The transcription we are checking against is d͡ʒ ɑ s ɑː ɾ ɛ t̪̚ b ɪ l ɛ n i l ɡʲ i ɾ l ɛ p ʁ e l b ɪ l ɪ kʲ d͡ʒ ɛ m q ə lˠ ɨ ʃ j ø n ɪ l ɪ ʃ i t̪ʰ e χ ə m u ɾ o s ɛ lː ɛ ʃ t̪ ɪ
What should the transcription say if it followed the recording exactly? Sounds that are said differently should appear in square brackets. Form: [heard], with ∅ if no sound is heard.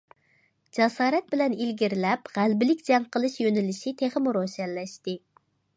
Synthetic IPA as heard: d͡ʒ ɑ s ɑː ɾ ɛ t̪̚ b ɪ l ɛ n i l ɡʲ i ɾ l ɛ p ʁ [æ] l b ɪ l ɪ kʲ d͡ʒ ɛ [ŋ] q ə lˠ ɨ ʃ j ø n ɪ l ɪ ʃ i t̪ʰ e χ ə m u ɾ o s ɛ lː ɛ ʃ t̪ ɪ